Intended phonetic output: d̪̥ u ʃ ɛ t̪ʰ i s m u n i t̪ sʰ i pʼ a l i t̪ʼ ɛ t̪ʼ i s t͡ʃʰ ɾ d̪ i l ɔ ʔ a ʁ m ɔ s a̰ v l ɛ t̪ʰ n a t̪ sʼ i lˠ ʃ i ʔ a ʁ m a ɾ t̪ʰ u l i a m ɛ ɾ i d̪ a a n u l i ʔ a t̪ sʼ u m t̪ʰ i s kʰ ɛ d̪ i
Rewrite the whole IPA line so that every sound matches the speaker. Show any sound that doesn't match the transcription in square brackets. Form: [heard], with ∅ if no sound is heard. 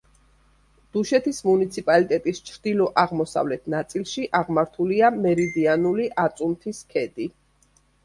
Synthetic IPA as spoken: d̪̥ u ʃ ɛ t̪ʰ i s m u n i t̪ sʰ i pʼ a l i t̪ʼ ɛ t̪ʼ i s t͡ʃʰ ɾ d̪ i l ɔ ʔ a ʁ m ɔ s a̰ v l ɛ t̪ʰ n a t̪ sʼ i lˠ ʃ i ʔ a ʁ m a ɾ t̪ʰ u l i a m ɛ ɾ i d̪ [i] a n u l i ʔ a t̪ sʼ u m t̪ʰ i s kʰ ɛ d̪ i